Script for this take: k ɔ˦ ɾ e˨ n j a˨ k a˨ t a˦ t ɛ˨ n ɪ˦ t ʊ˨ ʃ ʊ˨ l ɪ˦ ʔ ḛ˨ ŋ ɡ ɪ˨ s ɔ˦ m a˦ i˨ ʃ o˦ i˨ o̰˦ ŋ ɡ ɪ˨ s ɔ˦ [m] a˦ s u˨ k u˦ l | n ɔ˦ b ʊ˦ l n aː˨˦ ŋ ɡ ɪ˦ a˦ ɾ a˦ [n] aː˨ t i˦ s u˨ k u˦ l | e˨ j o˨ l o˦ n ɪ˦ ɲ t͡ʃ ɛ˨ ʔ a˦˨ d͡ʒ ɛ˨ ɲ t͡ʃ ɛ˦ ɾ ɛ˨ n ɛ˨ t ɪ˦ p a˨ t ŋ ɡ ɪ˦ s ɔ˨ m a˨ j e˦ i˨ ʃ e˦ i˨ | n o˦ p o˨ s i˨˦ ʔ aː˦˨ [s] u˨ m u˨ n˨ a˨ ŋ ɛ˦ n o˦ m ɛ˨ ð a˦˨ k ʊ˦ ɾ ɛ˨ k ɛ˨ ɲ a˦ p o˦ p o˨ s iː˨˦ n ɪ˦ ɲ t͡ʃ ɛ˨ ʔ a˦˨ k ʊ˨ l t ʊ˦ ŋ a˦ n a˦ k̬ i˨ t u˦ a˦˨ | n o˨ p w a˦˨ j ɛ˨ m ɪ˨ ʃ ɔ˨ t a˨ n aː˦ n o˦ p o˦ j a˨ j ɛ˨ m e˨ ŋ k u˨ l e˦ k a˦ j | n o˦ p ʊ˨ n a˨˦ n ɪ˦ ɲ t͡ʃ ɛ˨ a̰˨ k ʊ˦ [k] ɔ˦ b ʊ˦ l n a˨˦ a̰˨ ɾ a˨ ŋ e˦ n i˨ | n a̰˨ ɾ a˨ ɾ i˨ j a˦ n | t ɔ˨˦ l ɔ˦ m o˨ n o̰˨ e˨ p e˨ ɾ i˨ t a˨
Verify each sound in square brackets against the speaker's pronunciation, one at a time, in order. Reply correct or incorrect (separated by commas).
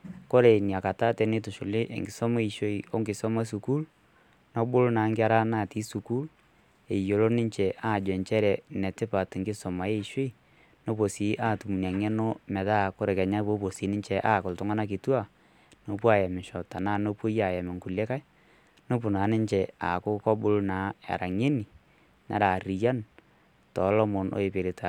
correct, correct, incorrect, correct